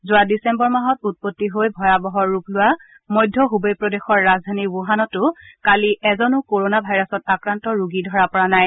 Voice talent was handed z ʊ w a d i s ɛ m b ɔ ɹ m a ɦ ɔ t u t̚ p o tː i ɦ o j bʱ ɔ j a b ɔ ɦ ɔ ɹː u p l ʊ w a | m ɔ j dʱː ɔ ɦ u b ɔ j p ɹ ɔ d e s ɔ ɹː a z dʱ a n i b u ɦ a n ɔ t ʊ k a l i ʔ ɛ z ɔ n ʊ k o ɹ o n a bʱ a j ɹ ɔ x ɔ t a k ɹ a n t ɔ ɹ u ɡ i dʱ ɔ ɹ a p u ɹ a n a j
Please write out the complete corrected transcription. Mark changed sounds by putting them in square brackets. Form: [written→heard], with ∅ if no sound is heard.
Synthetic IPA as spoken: z ʊ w a d i s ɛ m b ɔ ɹ m a ɦ ɔ t u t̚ p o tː i ɦ o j bʱ ɔ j a b ɔ ɦ ɔ ɹː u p l ʊ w a | m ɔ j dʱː ɔ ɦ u b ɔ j p ɹ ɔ d e [s→x] ɔ ɹː a z dʱ a n i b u ɦ a n ɔ t ʊ k a l i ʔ ɛ z ɔ n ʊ k o ɹ o n a bʱ a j ɹ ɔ [x→s] ɔ t a k ɹ a n t ɔ ɹ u ɡ i dʱ ɔ ɹ a p [u→ɔ] ɹ a n a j